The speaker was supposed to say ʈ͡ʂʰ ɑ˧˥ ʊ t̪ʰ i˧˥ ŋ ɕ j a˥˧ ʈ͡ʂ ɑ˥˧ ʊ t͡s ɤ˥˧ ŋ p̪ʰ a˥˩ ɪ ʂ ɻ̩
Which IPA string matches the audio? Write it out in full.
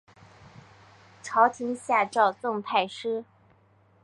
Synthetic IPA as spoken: ʈ͡ʂʰ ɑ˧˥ ʊ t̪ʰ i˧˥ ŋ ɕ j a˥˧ ʈ͡ʂ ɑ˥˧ ʊ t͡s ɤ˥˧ ŋ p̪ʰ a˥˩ ɪ ʂ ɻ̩